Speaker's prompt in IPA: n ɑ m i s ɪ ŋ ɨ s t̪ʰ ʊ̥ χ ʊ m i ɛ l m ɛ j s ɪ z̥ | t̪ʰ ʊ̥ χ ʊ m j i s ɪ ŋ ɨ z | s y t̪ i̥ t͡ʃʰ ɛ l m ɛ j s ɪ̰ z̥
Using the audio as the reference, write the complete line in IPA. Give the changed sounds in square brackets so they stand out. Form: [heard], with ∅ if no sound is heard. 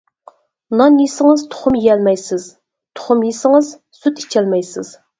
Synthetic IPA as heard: n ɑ [n] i s ɪ ŋ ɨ [z] t̪ʰ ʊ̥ χ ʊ m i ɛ l m ɛ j s ɪ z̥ | t̪ʰ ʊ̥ χ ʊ m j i s ɪ ŋ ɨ z | s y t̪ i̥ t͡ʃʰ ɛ l m ɛ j s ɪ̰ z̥